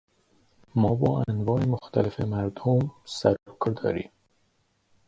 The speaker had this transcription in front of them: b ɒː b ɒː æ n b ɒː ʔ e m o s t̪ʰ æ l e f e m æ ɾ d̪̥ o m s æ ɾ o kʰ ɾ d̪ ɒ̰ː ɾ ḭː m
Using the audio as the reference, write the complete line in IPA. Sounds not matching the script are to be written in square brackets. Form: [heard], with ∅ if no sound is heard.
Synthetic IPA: [m] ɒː b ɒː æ n [v] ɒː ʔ e m o [x] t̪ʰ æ l e f e m æ ɾ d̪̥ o m s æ ɾ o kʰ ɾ d̪ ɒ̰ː ɾ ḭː m